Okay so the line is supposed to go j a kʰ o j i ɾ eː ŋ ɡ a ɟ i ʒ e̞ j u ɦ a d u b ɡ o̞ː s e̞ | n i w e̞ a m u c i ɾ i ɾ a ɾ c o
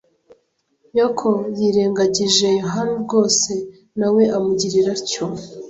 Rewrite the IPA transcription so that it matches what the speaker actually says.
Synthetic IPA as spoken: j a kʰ o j i ɾ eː ŋ ɡ a ɟ i ʒ e̞ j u ɦ a n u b ɡ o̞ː s e̞ | n a w e̞ a m u ɟ i ɾ i ɾ a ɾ c o